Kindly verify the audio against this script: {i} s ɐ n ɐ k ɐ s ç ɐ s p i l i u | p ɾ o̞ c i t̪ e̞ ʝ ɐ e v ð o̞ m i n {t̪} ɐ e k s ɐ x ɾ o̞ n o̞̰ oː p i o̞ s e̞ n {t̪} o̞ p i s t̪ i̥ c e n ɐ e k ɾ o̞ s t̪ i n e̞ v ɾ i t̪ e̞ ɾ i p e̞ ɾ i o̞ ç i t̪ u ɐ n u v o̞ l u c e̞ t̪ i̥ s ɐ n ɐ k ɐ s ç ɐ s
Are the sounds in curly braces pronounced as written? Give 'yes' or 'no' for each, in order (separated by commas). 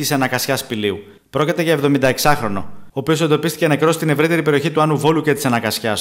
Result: yes, no, no